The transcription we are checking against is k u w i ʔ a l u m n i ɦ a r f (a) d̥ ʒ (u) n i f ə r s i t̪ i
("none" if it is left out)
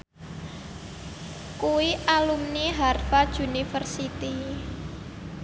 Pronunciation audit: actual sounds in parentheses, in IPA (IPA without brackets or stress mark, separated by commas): a, u